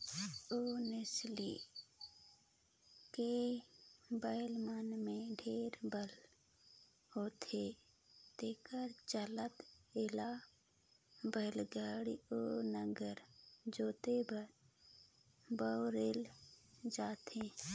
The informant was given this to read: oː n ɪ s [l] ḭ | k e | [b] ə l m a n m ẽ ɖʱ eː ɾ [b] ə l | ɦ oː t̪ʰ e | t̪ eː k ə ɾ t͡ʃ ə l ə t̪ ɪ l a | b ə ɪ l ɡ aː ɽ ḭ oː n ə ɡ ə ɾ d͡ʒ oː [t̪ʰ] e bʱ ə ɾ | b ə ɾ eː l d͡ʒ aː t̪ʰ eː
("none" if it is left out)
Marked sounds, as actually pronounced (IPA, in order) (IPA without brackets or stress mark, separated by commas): l, b, b, t̪